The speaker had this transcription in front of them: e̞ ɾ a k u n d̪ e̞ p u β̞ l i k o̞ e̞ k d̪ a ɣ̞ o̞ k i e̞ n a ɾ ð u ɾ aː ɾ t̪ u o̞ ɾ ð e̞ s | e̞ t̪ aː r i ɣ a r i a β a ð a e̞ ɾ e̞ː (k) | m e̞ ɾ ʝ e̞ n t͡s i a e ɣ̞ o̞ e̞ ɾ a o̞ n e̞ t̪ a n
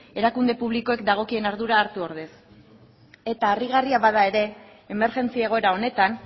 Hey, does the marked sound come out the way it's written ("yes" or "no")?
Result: no